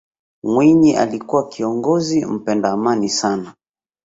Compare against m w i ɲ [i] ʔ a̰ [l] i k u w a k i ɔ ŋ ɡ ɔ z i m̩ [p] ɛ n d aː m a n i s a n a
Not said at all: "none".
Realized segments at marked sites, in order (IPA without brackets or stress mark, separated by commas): i, l, p